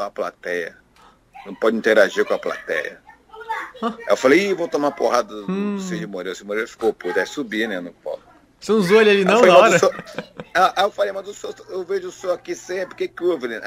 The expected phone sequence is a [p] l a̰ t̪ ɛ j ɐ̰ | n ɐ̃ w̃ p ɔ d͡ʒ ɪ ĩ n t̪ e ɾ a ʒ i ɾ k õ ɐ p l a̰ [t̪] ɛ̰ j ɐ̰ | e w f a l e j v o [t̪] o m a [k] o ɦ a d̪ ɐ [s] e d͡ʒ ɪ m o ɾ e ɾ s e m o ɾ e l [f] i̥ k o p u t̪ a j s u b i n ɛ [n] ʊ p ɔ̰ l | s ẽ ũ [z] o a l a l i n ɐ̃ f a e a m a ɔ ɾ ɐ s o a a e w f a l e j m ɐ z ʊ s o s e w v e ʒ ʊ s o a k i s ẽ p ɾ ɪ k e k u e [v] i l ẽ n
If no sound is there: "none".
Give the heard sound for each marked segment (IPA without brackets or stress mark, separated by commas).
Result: p, t̪, t̪, p, s, f, n, z, v